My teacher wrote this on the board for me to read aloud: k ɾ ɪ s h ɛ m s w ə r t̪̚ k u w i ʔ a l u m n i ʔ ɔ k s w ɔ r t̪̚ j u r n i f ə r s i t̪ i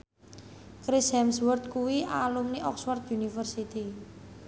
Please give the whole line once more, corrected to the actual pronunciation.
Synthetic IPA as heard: k ɾ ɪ s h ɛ m s w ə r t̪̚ k u w i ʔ a l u m n i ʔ ɔ k s w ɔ r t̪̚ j u n i f ə r s i t̪ i